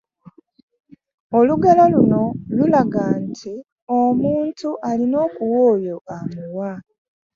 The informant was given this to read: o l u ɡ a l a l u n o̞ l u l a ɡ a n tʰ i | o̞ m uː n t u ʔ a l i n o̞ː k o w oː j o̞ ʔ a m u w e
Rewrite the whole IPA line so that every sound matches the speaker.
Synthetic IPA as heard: o l u ɡ a l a l u n o̞ l u l a ɡ a n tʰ i | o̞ m uː n t u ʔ a l i n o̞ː k u w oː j o̞ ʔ a m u w a